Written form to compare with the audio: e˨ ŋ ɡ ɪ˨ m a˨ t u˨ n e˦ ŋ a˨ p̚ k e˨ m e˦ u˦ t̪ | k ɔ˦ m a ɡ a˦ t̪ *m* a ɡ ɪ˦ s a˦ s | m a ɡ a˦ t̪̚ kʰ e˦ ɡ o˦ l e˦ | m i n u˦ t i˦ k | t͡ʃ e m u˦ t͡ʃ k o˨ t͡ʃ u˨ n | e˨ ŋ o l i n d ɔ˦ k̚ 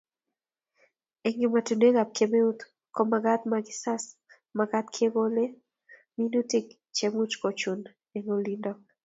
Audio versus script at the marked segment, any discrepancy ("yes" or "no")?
no